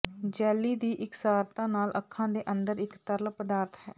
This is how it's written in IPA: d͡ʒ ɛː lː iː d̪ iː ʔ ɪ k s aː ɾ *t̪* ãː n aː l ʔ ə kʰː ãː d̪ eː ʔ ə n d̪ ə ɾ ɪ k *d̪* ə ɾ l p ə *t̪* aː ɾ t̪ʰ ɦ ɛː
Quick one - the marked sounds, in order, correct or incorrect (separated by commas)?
correct, incorrect, incorrect